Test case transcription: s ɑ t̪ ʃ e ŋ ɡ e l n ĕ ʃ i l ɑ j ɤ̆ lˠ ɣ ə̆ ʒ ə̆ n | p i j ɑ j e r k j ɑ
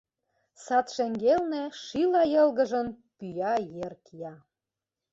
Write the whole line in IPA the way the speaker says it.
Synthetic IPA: s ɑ t̪ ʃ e ŋ ɡ e l n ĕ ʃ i l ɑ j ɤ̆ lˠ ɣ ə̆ ʒ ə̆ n | p y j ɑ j e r k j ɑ